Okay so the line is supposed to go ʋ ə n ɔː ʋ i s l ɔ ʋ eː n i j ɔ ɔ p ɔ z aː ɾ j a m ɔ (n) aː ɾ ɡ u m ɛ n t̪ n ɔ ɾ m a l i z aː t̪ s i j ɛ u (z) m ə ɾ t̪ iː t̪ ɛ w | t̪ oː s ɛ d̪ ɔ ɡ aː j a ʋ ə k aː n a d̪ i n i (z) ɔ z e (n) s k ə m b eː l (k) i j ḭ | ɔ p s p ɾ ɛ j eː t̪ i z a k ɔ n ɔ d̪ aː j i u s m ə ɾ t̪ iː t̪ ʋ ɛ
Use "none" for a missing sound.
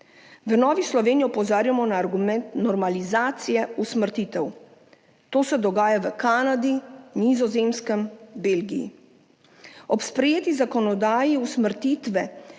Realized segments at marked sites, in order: n, s, z, m, ɡ

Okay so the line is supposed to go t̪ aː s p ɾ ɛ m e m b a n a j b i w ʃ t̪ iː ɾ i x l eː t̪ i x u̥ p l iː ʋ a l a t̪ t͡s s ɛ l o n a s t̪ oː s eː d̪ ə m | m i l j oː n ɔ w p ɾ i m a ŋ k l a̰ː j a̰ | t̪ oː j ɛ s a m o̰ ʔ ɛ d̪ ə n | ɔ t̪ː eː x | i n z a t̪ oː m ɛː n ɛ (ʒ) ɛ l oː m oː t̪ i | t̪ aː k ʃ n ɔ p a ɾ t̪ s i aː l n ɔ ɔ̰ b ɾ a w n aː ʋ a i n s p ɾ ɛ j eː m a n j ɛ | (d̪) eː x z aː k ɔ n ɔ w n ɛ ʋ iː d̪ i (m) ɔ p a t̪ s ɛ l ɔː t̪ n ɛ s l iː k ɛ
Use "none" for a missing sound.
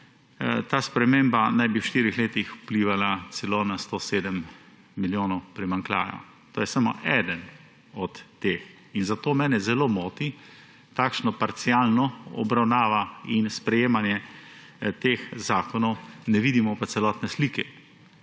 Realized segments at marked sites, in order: z, t̪, m

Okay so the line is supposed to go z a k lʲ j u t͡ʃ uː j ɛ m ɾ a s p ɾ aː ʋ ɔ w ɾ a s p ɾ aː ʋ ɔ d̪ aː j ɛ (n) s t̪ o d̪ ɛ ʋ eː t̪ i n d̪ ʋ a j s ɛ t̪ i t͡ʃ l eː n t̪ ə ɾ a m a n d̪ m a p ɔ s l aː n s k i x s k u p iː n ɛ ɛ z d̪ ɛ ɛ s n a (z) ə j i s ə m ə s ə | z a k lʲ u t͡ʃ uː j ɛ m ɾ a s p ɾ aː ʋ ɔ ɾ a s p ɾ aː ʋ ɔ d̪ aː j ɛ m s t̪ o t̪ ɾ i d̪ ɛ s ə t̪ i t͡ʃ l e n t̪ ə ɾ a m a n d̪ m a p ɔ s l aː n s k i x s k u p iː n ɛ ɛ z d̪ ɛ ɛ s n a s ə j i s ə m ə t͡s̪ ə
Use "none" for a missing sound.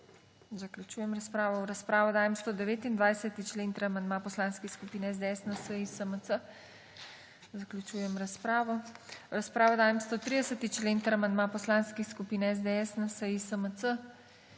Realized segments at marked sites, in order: m, s

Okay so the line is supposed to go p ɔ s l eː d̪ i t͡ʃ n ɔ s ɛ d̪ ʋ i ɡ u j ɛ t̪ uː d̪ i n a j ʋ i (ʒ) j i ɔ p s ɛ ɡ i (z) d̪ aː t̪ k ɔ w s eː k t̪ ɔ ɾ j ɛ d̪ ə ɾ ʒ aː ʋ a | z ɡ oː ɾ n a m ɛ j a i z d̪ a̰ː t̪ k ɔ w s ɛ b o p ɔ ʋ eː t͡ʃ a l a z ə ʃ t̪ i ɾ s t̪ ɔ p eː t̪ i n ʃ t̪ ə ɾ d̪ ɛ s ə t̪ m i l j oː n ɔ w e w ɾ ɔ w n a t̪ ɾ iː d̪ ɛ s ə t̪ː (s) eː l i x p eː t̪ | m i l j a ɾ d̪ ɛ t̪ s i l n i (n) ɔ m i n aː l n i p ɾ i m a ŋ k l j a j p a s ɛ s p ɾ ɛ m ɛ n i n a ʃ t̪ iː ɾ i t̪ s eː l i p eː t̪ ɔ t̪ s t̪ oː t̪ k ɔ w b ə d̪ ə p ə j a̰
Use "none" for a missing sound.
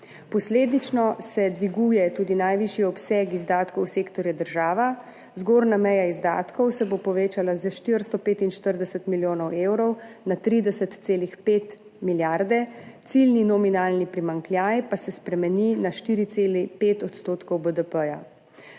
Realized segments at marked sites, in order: ʃ, z, s, n

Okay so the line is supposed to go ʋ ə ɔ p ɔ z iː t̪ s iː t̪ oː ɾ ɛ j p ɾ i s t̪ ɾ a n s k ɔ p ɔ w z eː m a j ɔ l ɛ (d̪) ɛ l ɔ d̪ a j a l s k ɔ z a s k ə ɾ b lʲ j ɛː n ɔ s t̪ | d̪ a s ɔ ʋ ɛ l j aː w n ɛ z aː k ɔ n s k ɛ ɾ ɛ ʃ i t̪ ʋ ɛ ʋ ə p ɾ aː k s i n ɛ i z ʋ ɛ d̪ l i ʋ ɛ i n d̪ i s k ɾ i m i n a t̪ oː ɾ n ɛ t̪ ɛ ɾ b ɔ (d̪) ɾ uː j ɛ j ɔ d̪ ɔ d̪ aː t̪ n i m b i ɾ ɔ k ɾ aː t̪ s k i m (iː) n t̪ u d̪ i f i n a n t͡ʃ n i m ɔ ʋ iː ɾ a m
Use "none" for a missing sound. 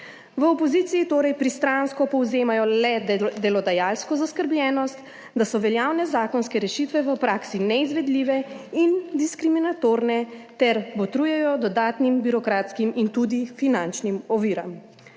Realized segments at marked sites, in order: d̪, t̪, i

